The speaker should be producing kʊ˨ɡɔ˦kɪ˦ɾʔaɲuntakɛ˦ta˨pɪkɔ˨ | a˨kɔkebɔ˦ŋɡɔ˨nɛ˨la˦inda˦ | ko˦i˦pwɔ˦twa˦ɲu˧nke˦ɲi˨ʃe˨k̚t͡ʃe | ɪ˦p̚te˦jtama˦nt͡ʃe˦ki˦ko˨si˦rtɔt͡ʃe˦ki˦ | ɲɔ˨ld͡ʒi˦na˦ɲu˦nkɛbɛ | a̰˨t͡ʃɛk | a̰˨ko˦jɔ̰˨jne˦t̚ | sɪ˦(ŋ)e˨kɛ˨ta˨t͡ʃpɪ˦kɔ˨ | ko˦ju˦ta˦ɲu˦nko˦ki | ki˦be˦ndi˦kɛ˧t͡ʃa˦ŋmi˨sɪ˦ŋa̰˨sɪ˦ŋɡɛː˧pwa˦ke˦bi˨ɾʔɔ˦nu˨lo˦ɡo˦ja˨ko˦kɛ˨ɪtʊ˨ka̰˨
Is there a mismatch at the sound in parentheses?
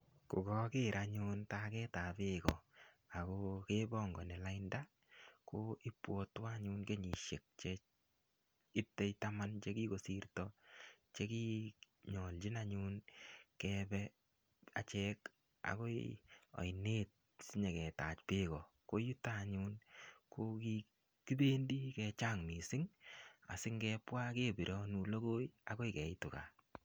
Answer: yes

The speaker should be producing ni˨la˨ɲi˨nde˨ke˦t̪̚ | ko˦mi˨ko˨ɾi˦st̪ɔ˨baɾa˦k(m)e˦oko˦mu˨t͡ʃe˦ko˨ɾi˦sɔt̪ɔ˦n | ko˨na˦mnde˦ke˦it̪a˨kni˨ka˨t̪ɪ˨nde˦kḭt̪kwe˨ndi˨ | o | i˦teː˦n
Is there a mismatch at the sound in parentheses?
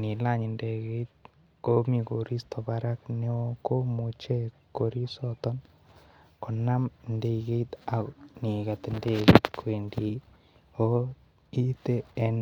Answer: yes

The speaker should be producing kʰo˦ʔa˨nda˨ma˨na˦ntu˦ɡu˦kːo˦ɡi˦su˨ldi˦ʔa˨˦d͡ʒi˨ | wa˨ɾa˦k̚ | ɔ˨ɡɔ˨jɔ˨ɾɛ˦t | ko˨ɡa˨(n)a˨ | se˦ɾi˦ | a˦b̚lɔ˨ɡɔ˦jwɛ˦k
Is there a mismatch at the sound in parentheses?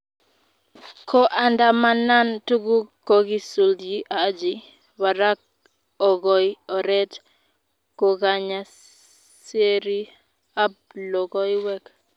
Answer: yes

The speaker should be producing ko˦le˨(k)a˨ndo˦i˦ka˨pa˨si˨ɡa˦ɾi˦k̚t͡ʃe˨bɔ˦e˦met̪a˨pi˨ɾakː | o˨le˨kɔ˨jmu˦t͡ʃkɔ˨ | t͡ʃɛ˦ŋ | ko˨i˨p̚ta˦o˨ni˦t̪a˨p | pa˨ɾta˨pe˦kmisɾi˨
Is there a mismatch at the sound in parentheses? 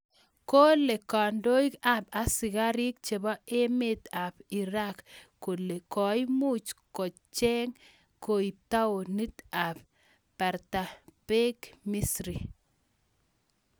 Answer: no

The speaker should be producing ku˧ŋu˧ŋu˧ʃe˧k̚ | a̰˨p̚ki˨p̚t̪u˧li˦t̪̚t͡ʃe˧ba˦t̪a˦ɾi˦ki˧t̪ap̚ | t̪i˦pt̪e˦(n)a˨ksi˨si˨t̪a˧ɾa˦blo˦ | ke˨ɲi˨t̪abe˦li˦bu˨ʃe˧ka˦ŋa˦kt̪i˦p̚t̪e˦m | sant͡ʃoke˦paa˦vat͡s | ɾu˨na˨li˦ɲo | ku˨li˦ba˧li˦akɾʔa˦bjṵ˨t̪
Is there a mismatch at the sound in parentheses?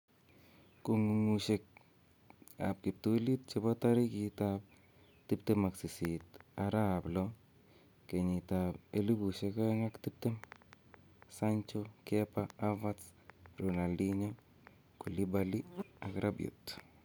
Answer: yes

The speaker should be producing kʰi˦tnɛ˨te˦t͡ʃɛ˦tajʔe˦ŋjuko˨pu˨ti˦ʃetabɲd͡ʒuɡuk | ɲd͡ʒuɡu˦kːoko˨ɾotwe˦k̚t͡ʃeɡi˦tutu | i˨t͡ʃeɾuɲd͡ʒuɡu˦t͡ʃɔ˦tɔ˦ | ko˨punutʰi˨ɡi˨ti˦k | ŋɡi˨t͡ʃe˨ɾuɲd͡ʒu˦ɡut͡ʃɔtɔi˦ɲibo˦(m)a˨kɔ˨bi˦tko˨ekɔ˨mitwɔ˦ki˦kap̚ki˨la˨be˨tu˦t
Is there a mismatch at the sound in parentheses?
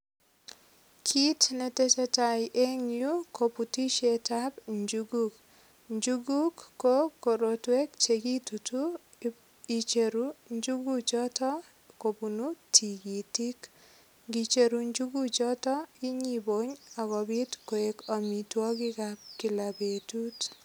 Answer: yes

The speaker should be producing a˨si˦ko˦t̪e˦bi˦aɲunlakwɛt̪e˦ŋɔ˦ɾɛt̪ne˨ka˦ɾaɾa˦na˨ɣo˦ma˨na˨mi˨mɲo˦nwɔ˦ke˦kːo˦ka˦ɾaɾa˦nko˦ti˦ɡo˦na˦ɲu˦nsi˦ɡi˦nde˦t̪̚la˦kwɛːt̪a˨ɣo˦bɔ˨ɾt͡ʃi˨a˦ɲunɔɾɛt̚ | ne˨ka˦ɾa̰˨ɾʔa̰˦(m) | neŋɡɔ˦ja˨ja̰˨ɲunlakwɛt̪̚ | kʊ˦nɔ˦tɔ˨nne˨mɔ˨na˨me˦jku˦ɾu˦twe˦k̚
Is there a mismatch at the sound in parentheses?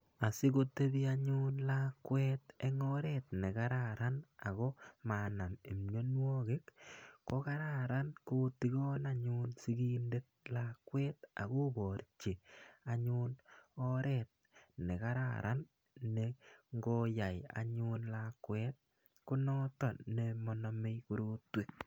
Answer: yes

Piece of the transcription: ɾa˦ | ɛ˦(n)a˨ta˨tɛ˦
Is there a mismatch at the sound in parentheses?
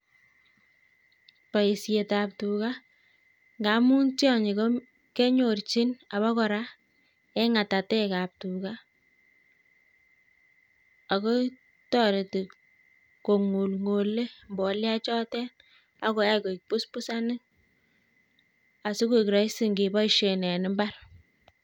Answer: yes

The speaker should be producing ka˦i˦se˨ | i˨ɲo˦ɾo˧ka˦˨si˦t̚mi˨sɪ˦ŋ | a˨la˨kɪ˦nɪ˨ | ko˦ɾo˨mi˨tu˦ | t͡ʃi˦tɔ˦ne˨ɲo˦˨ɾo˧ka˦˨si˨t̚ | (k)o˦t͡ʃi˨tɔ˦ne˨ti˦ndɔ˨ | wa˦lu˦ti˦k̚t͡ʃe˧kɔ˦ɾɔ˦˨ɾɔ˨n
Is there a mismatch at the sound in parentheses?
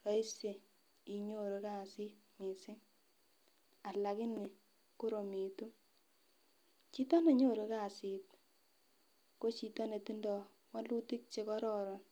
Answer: no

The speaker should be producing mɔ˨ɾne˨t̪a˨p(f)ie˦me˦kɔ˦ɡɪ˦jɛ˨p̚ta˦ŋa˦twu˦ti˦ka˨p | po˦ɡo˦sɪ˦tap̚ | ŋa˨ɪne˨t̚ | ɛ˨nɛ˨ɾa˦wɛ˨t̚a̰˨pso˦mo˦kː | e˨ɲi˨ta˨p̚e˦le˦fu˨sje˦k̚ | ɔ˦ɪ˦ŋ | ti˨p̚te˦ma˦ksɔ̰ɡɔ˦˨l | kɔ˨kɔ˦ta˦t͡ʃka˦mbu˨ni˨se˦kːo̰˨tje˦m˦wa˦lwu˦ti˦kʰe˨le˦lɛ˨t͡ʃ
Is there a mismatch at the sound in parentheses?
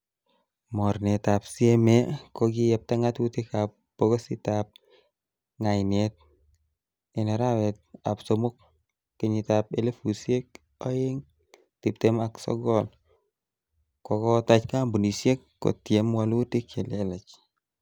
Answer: yes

